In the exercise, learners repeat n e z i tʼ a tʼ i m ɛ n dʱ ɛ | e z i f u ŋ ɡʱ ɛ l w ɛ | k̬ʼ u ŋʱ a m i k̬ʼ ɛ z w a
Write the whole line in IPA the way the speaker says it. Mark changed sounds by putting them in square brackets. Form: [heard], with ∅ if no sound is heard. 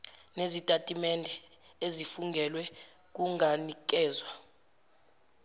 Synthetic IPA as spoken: n e z i tʼ a tʼ i m ɛ n dʱ ɛ | e z i f u ŋ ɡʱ ɛ l w ɛ | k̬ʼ u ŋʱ a [n] i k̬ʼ [ɛː] z w a